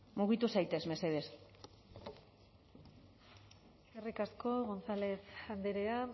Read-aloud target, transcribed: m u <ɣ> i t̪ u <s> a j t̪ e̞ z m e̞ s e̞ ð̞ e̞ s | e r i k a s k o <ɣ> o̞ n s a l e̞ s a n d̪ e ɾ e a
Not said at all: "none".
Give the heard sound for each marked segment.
ɣ, s, ɣ

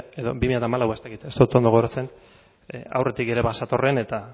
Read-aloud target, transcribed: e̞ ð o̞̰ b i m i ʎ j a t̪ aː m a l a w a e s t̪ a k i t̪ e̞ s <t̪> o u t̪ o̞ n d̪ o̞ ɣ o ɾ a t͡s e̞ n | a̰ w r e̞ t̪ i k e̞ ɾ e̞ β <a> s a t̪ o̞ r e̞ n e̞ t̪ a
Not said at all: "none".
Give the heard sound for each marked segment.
t̪, a

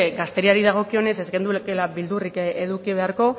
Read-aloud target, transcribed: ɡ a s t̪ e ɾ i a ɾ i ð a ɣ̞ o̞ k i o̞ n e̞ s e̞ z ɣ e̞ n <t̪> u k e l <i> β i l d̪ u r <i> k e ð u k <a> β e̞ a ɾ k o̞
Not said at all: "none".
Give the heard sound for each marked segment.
d̪, a, i, i

